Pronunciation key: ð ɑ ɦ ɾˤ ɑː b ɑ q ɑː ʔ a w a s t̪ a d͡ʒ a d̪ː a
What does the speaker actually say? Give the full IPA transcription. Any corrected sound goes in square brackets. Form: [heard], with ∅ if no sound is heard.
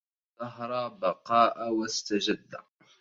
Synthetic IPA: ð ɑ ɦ ɾˤ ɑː b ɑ q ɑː ʔ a w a s t̪ a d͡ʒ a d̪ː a

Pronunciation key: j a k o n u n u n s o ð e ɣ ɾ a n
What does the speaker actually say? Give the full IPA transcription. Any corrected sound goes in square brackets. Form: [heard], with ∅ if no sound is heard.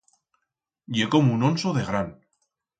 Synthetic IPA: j [e] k o [m] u n [o] n s o ð e ɣ ɾ a n

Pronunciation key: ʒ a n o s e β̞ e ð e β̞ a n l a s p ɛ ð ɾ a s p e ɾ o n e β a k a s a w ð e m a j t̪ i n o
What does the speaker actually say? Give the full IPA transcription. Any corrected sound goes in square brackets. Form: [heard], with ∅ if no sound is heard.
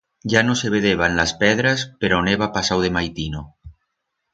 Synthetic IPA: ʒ a n o s e β̞ e ð e β̞ a n l a s p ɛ ð ɾ a s p e ɾ o n e β a [p] a s a w ð e m a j t̪ i n o

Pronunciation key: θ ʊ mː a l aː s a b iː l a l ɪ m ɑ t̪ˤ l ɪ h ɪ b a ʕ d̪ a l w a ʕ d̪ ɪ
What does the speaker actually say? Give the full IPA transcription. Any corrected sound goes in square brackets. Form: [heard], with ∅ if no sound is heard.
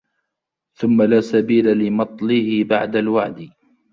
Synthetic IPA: θ ʊ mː a l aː s a b iː l a l ɪ m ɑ t̪ˤ l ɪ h ɪ b a ʕ d̪ a l w a ʕ d̪ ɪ

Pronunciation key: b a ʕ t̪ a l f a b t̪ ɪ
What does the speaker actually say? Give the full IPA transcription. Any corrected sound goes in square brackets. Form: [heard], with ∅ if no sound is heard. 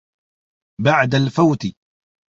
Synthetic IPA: b a ʕ [d̪] a l f a [w] t̪ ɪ

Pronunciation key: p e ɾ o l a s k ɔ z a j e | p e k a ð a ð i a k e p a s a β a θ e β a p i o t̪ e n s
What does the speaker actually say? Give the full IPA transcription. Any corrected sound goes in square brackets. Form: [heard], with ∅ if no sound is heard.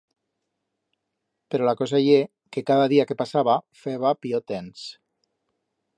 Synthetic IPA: p e ɾ o l a [∅] k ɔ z a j e | [k] e k a ð a ð i a k e p a s a β a [f] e β a p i o t̪ e n s

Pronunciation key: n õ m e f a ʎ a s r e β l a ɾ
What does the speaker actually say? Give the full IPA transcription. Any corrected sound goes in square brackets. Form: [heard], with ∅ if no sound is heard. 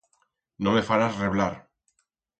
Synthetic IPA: n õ m e f a [ɾ] a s r e β l a ɾ

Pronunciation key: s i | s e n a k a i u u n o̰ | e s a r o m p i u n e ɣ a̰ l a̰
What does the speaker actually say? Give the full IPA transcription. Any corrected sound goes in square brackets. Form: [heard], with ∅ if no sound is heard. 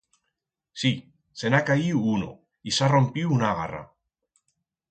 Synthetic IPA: s i | s e n a k a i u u n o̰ | [i] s a r o m p i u n [a] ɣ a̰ [r] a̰

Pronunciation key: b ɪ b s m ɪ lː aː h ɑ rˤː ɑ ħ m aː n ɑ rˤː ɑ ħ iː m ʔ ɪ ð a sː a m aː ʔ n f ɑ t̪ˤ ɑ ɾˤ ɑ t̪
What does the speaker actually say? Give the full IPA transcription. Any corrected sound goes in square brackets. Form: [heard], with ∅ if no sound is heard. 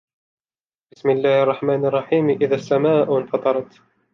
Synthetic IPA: b ɪ [∅] s m ɪ lː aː h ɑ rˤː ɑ ħ m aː n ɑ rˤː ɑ ħ iː m ʔ ɪ ð a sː a m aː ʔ n f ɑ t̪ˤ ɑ ɾˤ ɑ t̪

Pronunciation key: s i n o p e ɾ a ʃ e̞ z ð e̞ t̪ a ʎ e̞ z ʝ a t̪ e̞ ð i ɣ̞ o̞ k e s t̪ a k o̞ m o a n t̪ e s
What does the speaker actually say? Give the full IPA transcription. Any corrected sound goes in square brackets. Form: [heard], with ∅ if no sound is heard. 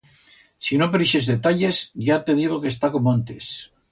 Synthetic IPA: s i n o p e ɾ [i] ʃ e̞ z ð e̞ t̪ a ʎ e̞ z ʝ a t̪ e̞ ð i ɣ̞ o̞ k e s t̪ a k o̞ m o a n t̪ e s

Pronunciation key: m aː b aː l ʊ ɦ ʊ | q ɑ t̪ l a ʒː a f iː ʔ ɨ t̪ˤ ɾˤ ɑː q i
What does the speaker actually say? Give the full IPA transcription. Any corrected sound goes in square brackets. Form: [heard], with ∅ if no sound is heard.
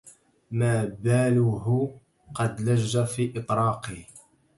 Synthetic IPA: m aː b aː l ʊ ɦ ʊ | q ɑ [d̪] l a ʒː a f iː ʔ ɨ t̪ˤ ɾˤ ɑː q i

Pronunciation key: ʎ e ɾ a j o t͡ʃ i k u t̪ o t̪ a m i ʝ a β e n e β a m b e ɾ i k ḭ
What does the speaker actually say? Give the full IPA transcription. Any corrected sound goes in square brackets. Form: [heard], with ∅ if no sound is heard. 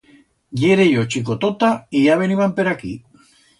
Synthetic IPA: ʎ e ɾ [e] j o t͡ʃ i k [o] t̪ o t̪ a [∅] i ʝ a β e n [i] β a m [p] e ɾ [a] k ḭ

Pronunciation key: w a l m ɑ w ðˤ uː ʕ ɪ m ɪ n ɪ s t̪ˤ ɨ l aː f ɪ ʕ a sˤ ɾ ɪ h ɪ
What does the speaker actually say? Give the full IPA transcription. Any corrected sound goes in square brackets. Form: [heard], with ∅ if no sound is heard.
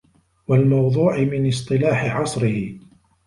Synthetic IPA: w a l m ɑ w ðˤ uː ʕ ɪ m ɪ n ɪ s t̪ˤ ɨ l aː [ħ] ɪ ʕ [ɑ] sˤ ɾ ɪ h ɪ

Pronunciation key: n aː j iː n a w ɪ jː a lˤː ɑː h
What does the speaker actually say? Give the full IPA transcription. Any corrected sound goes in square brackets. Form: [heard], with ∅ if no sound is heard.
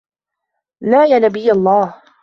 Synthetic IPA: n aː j [aː] n a [b] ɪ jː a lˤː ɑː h

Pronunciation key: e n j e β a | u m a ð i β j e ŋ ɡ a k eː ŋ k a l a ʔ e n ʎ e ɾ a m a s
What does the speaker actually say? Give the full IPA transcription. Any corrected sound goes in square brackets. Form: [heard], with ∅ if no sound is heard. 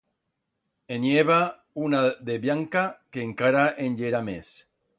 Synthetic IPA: e n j e β a | u [n] a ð [e] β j [a] ŋ [k] a k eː ŋ k a [ɾ] a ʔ e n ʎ e ɾ a m [e] s

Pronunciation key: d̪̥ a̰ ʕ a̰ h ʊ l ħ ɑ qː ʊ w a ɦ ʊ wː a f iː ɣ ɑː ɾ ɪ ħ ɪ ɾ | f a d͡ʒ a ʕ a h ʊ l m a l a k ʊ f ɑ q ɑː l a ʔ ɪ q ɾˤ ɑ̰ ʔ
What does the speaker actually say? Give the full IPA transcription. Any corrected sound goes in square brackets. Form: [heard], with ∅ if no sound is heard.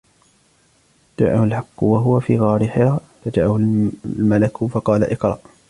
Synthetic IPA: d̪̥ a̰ ʕ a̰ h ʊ l ħ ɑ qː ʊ w a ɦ ʊ [w] a f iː ɣ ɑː ɾ ɪ ħ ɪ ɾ | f a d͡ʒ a ʕ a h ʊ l m a l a k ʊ f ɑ q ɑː l a ʔ ɪ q ɾˤ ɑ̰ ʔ

